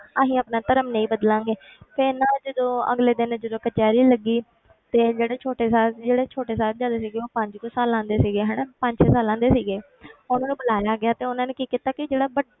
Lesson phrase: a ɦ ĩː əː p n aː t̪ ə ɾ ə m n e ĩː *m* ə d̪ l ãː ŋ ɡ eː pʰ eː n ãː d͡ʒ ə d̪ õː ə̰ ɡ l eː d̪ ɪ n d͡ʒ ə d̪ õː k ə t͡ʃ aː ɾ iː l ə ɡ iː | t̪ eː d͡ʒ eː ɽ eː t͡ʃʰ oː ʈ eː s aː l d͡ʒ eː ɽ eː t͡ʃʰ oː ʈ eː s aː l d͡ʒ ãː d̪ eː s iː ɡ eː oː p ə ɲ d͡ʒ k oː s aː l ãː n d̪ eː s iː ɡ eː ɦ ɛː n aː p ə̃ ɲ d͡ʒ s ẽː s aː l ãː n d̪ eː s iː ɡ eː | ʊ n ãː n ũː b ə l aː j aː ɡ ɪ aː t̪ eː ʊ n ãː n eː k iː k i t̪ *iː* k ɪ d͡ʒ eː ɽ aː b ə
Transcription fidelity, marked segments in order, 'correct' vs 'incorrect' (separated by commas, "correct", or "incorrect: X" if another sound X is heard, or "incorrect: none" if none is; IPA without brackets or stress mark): incorrect: b, incorrect: aː